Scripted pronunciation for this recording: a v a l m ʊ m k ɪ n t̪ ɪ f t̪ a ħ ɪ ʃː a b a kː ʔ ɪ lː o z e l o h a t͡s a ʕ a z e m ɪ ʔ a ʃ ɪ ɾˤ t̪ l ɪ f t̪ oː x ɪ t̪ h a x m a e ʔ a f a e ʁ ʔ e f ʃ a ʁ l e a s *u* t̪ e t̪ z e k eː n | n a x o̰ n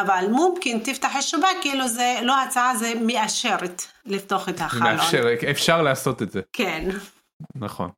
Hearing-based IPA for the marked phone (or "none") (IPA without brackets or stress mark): o